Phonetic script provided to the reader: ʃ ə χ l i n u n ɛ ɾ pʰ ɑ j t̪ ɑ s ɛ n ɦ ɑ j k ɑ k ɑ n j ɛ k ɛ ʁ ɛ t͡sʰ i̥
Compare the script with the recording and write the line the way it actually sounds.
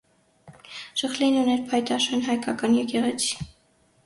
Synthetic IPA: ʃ ə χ l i n u n ɛ ɾ pʰ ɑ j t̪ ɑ ʃ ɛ n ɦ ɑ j k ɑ k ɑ n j ɛ k ɛ ʁ ɛ t͡sʰ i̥